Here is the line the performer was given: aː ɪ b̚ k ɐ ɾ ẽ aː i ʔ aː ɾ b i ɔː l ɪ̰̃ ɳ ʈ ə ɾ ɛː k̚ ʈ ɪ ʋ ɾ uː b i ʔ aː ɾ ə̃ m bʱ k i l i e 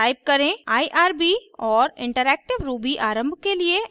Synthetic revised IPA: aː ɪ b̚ k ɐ ɾ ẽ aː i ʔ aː ɾ b i ɔː ɾ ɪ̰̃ ɳ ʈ ə ɾ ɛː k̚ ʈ ɪ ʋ ɾ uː b i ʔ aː ɾ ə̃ m bʱ k e l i e